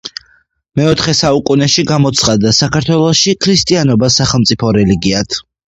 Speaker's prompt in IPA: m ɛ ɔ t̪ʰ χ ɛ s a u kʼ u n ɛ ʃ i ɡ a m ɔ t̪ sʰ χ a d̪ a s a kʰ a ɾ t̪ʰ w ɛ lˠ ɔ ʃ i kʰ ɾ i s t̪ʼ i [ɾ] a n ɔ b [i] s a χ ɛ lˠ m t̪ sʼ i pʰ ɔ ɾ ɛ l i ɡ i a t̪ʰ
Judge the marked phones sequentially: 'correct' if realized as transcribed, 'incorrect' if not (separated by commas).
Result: incorrect, incorrect